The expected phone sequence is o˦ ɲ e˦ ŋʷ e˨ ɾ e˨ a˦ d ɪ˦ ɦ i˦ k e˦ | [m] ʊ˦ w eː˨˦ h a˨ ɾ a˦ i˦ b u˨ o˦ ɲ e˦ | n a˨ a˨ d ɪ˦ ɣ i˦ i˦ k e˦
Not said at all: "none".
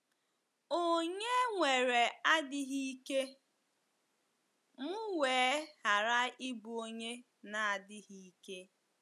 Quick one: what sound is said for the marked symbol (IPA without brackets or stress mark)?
m